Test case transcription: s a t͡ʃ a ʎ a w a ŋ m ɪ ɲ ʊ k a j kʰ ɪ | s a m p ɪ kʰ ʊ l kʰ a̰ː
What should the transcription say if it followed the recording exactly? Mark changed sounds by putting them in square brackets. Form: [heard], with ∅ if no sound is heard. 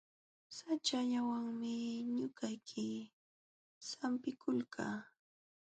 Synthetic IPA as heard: s a t͡ʃ a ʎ a w a ŋ m ɪ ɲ ʊ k a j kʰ ɪ | s a m p ɪ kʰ ʊ l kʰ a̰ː